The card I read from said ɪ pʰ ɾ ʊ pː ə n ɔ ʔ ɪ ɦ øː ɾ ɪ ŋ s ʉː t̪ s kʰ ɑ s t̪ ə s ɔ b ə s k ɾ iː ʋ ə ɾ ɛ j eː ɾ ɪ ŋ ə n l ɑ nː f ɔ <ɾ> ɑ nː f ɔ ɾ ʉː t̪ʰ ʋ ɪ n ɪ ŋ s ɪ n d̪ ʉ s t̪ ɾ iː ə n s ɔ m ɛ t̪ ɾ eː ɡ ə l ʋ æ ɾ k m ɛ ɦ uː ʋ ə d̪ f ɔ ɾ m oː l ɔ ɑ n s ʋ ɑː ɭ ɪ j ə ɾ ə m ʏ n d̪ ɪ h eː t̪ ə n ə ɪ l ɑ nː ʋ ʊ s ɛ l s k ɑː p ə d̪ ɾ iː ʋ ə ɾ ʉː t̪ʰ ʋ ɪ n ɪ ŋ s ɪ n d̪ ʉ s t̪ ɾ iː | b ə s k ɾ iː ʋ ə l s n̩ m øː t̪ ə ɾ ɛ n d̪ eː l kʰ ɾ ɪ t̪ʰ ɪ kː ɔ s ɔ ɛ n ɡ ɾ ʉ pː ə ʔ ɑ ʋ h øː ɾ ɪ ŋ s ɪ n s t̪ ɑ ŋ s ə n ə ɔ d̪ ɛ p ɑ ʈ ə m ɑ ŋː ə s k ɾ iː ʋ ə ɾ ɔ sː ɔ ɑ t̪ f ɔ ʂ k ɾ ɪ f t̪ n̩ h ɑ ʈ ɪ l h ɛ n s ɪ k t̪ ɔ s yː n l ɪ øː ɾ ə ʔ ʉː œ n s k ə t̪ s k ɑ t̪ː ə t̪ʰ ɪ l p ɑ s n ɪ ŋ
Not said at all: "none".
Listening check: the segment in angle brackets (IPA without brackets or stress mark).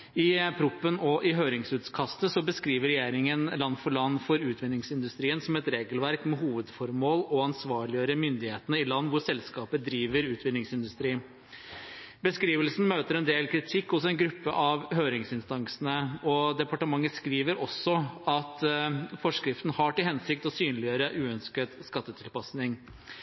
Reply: ɭ